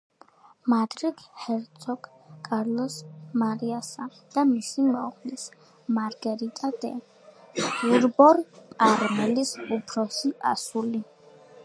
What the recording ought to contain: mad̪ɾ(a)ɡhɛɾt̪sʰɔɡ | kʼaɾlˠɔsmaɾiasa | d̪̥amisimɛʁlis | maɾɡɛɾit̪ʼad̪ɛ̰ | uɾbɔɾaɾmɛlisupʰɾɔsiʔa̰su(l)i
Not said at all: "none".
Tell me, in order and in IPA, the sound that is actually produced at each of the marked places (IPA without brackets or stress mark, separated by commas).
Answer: i, l